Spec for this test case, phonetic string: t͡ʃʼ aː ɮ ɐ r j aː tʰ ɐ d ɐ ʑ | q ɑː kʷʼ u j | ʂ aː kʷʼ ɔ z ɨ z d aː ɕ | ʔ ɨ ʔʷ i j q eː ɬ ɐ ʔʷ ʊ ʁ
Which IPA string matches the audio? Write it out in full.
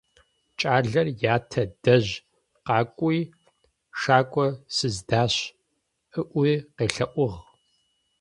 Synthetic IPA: t͡ʃʼ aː ɮ ɐ r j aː tʰ ɐ d ɐ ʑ | q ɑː kʷʼ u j | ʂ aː kʷʼ ɔ s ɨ z d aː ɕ | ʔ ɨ ʔʷ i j q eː ɬ ɐ ʔʷ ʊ ʁ